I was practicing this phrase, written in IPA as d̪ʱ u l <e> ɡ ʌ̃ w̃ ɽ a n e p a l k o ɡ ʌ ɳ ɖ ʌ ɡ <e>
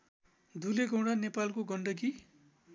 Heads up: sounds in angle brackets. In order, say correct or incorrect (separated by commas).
correct, incorrect